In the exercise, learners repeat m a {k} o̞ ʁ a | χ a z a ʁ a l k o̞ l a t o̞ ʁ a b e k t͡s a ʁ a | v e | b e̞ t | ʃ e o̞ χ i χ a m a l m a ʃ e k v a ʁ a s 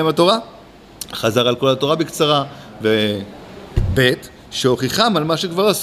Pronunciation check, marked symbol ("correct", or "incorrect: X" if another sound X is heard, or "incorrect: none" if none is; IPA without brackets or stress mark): incorrect: t